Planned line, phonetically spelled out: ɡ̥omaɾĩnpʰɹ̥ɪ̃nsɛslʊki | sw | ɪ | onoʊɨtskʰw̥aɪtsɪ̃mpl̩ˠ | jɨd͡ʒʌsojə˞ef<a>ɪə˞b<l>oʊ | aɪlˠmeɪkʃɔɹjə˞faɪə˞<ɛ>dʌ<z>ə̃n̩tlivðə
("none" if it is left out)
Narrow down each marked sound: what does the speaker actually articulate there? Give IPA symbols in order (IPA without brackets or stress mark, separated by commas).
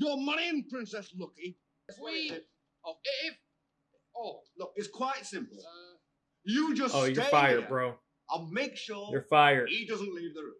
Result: a, ɹ, i, z